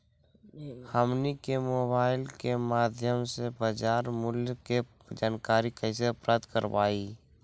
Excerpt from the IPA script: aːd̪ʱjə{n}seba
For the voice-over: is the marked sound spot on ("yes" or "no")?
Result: no